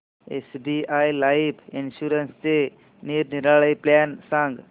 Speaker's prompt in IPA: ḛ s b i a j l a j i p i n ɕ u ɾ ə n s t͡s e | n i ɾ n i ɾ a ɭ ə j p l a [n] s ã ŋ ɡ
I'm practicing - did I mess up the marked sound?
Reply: no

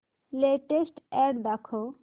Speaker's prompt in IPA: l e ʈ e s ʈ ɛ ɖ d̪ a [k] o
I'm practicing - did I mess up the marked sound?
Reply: yes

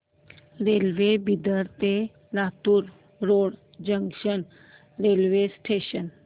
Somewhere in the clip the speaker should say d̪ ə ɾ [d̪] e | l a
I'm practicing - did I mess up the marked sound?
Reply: yes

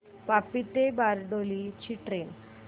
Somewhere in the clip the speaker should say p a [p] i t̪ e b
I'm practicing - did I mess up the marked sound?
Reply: no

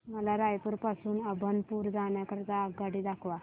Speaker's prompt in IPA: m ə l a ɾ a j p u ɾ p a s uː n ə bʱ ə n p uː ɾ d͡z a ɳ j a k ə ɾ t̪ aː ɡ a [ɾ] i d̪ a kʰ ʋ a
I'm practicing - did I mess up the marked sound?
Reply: yes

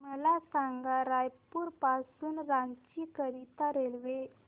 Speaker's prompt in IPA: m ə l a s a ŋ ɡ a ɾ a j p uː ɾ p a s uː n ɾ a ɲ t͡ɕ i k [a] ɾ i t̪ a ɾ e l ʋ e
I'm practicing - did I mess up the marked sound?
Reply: yes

